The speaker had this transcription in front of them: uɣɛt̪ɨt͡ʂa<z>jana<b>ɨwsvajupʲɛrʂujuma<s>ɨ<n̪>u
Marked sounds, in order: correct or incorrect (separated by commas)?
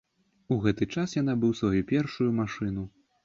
incorrect, correct, incorrect, correct